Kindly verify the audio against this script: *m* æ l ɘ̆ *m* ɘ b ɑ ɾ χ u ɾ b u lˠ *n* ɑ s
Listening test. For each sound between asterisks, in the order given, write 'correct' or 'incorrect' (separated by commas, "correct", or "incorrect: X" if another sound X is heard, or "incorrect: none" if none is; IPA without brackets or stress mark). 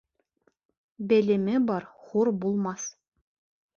incorrect: b, correct, incorrect: m